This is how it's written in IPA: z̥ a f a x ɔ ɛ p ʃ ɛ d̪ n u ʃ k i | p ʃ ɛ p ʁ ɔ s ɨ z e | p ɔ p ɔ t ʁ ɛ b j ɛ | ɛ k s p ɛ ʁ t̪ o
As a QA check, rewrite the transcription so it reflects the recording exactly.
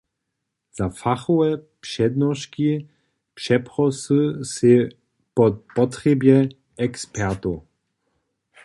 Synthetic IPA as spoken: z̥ a f a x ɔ ɛ p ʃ ɛ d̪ n ɔ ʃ k i | p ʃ ɛ p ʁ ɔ s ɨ s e | p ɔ p ɔ t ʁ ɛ b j ɛ | ɛ k s p ɛ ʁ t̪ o